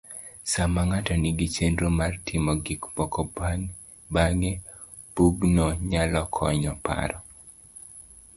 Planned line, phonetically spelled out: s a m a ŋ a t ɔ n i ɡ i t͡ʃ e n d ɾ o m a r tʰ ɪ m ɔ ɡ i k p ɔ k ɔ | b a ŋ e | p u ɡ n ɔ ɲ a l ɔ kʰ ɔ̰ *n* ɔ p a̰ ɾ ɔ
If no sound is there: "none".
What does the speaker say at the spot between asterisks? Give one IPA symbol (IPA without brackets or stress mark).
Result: ɲ